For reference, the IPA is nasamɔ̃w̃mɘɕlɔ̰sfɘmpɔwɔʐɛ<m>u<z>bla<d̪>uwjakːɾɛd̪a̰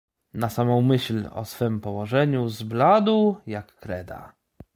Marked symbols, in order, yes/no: no, yes, yes

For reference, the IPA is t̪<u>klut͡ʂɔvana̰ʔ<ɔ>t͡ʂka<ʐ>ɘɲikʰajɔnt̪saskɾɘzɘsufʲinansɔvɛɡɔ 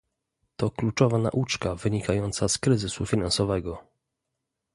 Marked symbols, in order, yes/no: no, no, no

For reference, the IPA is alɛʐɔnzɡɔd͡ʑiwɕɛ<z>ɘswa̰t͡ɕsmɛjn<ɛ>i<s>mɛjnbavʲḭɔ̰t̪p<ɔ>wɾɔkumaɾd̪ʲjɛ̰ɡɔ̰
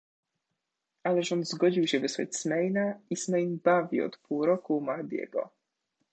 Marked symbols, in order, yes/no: no, no, yes, no

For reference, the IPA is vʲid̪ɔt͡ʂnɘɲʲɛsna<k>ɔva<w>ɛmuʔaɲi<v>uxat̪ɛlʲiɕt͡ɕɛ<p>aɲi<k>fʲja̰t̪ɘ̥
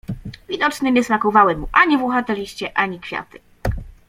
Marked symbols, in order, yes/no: yes, yes, yes, no, yes

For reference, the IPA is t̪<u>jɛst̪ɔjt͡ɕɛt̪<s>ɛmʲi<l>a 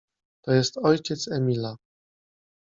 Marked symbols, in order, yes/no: no, yes, yes

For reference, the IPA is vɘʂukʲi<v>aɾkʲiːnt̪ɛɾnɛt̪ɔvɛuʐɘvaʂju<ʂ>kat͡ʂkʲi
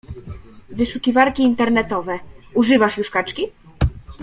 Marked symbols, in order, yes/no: yes, yes

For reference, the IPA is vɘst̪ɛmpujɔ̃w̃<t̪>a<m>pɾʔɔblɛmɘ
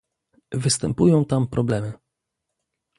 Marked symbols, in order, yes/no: yes, yes

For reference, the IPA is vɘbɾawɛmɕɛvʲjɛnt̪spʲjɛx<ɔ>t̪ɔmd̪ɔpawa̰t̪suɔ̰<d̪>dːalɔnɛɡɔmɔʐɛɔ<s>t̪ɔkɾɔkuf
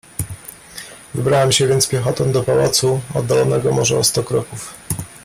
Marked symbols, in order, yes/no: yes, yes, yes

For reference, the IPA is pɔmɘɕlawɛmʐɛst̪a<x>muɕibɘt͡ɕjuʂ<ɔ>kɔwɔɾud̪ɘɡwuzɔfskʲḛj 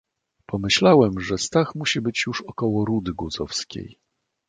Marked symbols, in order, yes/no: yes, yes

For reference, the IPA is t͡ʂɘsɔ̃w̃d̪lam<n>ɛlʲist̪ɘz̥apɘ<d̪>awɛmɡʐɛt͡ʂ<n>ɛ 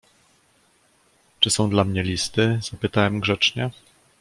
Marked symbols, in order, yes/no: no, no, no

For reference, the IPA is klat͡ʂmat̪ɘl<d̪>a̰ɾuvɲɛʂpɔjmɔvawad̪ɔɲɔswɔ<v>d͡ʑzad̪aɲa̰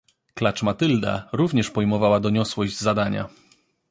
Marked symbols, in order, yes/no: yes, no

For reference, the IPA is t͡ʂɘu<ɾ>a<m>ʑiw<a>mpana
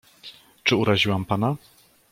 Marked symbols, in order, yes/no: yes, no, yes

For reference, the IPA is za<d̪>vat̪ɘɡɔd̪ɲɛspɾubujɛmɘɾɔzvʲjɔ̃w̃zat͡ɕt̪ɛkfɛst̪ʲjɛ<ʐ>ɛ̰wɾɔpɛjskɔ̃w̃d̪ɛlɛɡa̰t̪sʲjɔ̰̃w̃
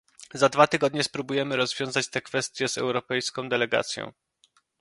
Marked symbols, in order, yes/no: yes, no

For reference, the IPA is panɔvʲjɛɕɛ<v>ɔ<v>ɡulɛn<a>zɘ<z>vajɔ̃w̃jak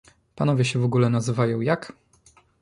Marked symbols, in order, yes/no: yes, no, yes, no

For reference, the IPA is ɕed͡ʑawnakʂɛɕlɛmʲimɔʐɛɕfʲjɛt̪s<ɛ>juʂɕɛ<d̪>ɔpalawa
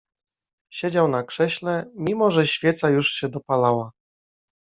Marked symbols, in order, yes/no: no, yes

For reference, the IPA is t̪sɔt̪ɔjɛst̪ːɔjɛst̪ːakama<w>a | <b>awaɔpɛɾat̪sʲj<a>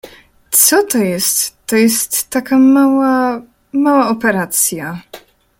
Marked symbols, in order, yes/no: yes, no, yes

